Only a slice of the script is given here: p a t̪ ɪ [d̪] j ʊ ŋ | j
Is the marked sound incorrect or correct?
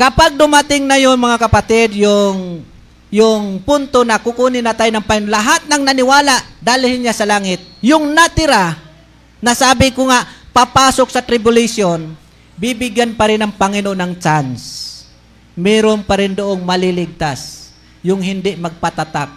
correct